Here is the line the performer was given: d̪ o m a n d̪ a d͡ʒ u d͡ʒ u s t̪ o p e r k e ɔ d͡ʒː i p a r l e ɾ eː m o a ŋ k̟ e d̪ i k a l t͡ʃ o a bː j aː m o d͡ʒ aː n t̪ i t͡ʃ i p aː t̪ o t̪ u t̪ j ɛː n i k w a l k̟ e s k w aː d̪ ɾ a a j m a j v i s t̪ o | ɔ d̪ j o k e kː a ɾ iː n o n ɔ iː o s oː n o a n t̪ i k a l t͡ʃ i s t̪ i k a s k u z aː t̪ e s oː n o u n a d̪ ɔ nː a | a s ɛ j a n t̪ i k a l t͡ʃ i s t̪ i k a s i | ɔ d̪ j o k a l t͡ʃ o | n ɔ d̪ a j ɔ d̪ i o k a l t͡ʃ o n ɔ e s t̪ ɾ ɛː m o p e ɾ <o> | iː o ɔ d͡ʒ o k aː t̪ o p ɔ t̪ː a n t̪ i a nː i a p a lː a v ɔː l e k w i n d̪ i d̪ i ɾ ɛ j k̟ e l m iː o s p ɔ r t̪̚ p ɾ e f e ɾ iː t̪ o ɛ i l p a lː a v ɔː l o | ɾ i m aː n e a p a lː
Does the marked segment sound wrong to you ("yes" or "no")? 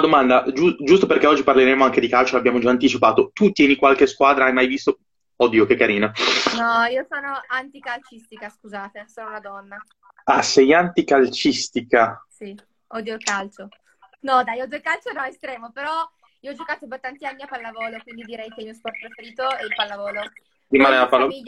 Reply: yes